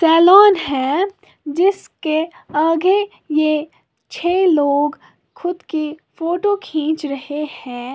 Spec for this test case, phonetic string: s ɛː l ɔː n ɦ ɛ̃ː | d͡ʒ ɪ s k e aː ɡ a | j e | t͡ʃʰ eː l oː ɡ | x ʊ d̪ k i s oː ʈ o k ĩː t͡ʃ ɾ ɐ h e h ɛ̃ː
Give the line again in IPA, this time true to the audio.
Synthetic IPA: s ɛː l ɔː n ɦ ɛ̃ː | d͡ʒ ɪ s k e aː ɡ e | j e | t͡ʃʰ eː l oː ɡ | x ʊ d̪ k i f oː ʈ o kʰ ĩː t͡ʃ ɾ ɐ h e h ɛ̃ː